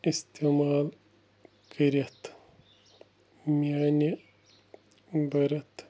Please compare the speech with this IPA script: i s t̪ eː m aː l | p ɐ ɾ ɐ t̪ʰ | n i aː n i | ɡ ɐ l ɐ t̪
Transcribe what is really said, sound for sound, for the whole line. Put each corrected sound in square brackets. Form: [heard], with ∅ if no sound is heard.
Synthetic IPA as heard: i s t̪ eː m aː l | [k] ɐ ɾ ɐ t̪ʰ | [m] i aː n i | [b] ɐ [ɾ] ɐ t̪